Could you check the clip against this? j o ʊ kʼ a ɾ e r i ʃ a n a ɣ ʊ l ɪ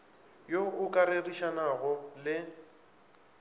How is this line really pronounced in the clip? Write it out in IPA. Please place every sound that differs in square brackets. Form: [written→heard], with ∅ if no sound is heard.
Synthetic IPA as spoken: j o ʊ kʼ a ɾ e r i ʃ a n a ɣ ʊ l ɪ